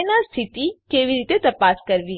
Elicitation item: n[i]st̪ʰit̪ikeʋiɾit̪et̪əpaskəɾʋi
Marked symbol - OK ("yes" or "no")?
no